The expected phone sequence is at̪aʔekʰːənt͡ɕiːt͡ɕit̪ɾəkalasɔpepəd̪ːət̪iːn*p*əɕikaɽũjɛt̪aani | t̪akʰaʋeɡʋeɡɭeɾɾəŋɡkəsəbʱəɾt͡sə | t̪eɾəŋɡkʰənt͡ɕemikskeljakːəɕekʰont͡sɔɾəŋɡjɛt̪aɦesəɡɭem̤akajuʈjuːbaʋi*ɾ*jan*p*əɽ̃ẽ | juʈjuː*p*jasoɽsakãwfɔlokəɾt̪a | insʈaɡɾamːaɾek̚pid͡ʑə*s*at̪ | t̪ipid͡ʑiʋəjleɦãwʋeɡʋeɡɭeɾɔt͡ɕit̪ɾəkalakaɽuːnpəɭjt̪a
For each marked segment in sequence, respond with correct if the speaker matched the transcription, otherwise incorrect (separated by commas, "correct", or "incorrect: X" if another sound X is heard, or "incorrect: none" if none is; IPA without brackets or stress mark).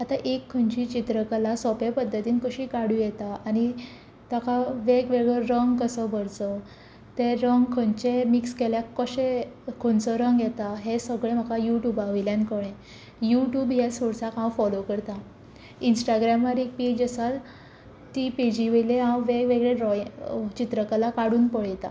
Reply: incorrect: k, incorrect: l, incorrect: k, incorrect: b, correct